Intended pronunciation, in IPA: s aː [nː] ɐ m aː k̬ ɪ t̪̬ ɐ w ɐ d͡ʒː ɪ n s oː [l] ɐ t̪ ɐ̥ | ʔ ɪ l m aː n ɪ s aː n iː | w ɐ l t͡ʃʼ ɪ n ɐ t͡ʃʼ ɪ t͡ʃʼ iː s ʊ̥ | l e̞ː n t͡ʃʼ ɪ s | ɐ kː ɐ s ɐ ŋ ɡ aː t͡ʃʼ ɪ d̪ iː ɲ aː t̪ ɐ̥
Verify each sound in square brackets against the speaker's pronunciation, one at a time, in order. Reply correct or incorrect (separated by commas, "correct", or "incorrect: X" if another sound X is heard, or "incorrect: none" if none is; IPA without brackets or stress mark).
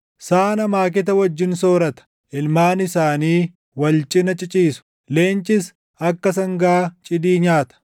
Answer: incorrect: n, incorrect: ɾ